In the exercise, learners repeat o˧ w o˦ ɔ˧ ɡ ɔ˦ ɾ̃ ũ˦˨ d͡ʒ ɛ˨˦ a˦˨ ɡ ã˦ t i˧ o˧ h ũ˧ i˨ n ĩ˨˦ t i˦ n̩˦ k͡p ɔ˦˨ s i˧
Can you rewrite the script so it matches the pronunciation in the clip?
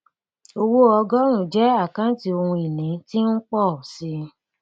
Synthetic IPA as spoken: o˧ w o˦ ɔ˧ ɡ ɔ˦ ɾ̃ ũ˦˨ d͡ʒ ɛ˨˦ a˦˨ k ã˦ t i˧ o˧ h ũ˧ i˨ n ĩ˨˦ t i˦ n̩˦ k͡p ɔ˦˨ s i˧